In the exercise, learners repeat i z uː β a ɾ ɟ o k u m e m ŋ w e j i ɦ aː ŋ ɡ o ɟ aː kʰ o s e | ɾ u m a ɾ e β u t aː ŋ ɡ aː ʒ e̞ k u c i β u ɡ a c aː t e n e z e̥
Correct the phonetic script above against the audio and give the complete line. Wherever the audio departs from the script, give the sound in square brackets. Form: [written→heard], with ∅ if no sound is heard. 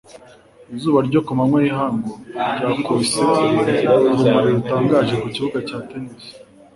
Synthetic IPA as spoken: i z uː β a ɾ ɟ o k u m [e→a] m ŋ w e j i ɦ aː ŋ ɡ o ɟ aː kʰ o s e | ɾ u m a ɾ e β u t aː ŋ ɡ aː ʒ e̞ k u c i β u ɡ a c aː t e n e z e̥